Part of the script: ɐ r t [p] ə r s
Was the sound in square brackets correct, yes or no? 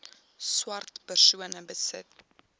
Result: yes